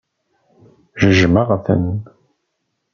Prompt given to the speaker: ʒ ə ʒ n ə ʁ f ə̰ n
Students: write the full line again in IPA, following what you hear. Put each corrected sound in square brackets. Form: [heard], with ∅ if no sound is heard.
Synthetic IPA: ʒ ə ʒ [m] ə ʁ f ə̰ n